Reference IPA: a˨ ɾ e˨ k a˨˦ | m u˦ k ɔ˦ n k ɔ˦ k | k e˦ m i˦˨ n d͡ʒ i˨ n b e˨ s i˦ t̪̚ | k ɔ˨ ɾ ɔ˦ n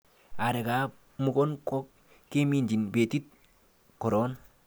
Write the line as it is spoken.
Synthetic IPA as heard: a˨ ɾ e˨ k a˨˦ | m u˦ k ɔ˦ n k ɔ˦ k | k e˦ m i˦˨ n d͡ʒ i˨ n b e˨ t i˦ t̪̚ | k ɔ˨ ɾ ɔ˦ n